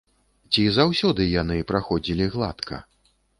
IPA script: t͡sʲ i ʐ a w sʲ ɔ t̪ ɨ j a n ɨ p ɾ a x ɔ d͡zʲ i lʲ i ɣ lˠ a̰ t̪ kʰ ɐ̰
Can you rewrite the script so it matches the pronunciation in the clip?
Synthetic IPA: t͡sʲ i z a w sʲ ɔ d̪ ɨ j a n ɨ p ɾ a x ɔ d͡zʲ i lʲ i ɣ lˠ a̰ t̪ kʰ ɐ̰